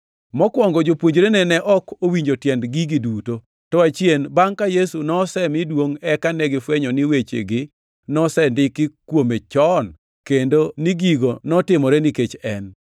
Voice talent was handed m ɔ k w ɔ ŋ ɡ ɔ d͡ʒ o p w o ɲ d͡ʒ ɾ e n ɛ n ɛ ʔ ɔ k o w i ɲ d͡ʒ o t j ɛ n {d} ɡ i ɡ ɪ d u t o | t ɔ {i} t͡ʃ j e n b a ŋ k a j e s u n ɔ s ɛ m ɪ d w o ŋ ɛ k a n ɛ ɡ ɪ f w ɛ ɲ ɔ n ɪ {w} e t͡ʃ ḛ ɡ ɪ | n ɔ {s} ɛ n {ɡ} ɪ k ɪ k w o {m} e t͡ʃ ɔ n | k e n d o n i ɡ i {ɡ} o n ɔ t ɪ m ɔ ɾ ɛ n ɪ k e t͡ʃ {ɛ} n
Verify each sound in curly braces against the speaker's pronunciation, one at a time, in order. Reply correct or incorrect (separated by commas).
correct, incorrect, correct, correct, incorrect, correct, correct, correct